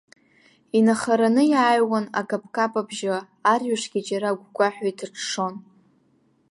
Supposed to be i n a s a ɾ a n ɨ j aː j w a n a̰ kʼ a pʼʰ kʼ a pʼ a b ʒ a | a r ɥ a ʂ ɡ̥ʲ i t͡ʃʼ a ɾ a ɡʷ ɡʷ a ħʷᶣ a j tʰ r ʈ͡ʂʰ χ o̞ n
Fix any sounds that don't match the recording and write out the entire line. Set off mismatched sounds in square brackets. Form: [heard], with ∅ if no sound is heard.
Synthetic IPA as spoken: i n a [χ] a ɾ a n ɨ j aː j w a n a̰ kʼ a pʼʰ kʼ a pʼ a b ʒ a | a r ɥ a ʂ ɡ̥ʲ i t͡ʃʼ a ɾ a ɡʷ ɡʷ a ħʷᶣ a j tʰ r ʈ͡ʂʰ [ʂ] o̞ n